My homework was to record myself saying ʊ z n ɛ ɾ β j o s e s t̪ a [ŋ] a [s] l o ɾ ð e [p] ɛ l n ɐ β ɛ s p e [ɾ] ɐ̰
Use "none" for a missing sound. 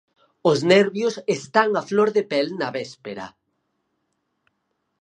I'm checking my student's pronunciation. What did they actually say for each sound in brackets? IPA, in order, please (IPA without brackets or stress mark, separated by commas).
ŋ, f, p, ɾ